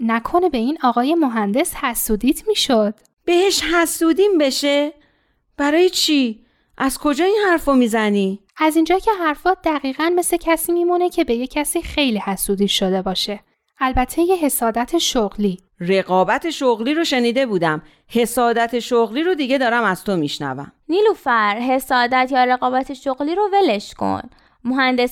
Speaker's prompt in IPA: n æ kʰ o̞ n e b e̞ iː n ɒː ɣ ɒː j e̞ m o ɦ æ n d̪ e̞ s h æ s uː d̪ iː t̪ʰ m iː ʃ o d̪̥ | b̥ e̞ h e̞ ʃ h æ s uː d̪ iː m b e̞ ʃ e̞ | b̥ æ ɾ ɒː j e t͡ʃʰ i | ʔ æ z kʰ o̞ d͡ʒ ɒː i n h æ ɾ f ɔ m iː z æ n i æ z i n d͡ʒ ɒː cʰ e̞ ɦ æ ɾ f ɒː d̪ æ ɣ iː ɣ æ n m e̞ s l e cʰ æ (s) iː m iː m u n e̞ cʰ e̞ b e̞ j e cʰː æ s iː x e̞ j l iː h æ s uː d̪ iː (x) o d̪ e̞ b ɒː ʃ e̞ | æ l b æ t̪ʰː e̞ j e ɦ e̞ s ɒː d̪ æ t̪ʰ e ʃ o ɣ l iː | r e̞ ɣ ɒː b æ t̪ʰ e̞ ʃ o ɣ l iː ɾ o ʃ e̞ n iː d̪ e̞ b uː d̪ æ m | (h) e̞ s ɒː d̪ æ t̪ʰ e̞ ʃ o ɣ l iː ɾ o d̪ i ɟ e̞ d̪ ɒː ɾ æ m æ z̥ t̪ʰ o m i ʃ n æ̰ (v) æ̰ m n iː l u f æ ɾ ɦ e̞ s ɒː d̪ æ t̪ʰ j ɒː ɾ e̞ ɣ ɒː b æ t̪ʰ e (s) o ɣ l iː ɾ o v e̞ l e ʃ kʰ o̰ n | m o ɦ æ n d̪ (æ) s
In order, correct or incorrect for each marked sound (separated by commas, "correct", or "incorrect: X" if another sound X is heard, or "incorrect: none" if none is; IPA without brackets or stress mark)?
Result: correct, incorrect: ʃ, correct, correct, incorrect: ʃ, incorrect: e